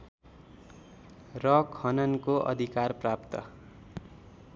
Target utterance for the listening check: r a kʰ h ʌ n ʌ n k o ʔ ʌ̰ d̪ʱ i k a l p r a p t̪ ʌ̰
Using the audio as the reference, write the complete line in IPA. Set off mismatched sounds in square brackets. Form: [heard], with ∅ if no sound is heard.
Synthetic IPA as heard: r [ʌ] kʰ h ʌ n ʌ n k o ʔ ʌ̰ d̪ʱ i k a [r] p r a p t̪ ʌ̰